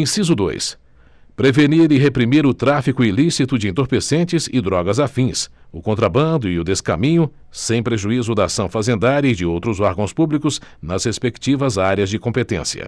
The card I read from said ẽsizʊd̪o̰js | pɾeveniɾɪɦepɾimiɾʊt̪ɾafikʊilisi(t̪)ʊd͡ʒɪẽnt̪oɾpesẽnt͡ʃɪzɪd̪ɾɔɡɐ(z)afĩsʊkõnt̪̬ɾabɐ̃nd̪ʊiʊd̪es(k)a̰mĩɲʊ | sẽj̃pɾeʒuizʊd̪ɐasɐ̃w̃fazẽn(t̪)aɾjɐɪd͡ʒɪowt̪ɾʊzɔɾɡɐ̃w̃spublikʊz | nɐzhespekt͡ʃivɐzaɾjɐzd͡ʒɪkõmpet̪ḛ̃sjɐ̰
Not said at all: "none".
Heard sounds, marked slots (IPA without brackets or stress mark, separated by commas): t̪, z, k, d̪